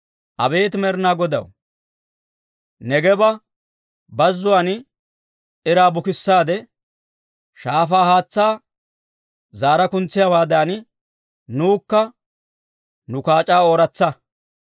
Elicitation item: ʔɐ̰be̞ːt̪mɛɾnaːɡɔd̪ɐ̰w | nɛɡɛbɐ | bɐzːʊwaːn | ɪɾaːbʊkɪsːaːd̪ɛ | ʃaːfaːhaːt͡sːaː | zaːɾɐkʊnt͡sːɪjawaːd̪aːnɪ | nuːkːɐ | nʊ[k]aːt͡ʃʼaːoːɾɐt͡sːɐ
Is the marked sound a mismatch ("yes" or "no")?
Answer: no